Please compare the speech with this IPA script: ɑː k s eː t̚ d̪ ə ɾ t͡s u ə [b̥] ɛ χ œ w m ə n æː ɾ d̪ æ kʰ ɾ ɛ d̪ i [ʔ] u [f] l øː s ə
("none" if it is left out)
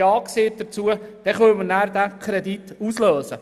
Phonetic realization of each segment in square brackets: d̥, t, s

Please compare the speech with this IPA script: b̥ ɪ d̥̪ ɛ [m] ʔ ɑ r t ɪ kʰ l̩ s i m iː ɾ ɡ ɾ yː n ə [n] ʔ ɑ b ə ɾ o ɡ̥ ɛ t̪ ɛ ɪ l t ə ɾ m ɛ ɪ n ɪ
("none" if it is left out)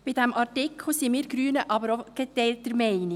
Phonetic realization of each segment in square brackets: m, none

